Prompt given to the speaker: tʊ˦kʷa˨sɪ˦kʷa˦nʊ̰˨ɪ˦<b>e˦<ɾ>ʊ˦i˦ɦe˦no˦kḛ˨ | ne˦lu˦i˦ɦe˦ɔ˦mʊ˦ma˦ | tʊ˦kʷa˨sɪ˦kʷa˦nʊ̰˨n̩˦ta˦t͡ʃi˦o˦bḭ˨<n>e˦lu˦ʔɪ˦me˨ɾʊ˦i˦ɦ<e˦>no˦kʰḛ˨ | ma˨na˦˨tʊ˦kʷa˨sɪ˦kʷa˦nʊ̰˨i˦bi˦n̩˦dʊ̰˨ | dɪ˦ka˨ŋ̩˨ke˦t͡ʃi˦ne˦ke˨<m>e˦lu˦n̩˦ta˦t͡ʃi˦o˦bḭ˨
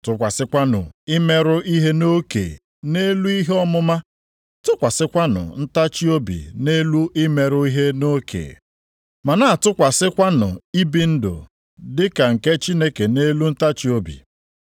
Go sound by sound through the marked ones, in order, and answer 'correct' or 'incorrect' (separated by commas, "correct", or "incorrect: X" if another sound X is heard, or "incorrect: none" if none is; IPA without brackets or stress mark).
incorrect: m, correct, correct, correct, incorrect: n